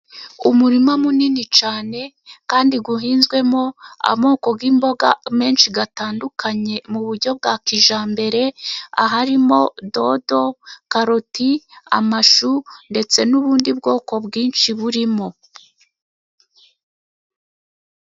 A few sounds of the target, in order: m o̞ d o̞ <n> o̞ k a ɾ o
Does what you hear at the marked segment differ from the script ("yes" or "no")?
yes